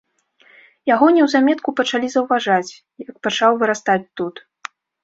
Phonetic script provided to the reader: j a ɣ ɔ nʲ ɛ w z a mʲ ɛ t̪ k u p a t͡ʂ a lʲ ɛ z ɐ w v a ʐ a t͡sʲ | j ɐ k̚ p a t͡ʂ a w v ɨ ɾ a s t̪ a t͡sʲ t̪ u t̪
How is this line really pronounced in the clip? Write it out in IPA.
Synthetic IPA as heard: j a ɣ ɔ nʲ ɛ w z a mʲ ɛ t̪ k u p ɐ t͡ʂ a lʲ i z ɐ w v a ʐ a t͡sʲ | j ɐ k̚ p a t͡ʂ a w v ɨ ɾ a s t̪ a t͡sʲ t̪ u t̪